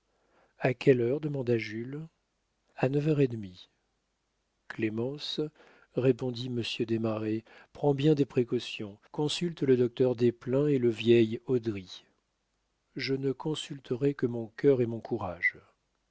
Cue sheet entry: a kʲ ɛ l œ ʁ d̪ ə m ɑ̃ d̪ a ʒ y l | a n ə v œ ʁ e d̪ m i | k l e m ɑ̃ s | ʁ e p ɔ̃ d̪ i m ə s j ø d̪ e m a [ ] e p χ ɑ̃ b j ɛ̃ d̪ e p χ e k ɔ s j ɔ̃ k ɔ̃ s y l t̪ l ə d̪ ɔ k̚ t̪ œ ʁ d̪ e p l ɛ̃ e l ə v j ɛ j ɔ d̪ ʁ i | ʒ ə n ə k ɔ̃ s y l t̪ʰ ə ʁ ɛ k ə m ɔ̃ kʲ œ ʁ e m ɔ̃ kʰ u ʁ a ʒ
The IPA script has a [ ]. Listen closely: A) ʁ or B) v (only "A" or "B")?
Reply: A